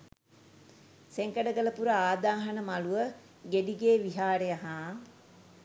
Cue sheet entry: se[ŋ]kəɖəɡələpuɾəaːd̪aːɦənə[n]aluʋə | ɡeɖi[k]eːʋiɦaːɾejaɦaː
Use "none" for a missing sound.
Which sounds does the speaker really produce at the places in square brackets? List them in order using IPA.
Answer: ŋ, m, ɡ

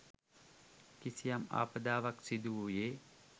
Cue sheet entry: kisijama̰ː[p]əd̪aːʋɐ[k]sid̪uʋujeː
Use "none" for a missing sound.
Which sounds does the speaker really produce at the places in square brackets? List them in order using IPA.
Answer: p, k

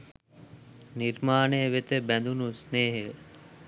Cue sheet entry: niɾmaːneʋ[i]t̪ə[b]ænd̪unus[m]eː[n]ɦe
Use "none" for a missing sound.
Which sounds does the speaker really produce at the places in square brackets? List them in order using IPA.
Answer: e, b, n, none

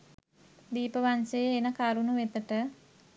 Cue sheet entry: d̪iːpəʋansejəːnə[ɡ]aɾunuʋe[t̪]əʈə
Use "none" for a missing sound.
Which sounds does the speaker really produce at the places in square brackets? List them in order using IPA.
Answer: k, t̪

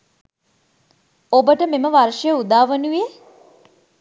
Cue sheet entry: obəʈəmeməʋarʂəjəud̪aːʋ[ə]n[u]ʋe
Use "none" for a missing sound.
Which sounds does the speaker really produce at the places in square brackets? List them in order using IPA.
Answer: ə, u

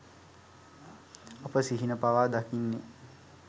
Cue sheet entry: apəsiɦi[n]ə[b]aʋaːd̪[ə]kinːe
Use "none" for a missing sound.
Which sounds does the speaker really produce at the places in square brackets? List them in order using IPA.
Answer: n, p, a

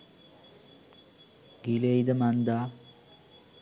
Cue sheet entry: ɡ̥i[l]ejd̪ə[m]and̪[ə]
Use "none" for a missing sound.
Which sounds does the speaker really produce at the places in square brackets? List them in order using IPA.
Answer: l, m, a

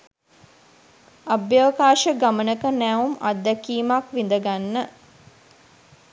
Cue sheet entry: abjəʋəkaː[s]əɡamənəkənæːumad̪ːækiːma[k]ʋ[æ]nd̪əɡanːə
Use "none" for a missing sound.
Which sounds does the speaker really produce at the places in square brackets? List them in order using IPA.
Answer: ʃ, k, i

